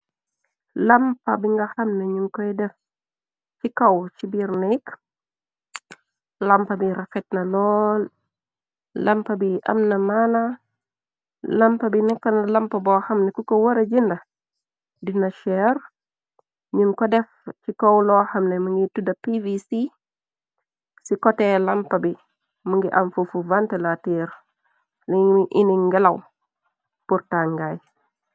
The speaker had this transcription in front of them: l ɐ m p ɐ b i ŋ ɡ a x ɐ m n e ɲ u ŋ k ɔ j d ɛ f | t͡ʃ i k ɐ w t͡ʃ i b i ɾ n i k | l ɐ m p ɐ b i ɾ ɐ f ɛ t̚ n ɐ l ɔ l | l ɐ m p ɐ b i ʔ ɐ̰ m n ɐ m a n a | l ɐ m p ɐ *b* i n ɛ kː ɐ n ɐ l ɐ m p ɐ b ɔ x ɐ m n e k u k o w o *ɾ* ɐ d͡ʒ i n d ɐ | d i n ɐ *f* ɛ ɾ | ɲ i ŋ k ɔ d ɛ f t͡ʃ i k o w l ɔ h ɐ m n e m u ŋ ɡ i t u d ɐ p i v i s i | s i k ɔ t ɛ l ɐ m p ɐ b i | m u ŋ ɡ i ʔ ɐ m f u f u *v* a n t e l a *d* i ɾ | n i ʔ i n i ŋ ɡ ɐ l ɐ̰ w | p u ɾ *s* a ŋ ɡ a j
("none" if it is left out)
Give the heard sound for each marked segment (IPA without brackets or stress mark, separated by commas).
b, ɾ, ʃ, v, t, t